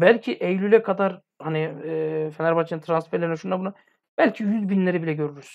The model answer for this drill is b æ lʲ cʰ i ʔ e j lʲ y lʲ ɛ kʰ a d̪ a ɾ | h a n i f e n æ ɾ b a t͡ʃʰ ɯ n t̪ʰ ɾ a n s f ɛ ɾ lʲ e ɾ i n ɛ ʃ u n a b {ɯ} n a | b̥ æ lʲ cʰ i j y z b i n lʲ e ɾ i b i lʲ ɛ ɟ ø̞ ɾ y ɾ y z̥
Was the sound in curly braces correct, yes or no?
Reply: no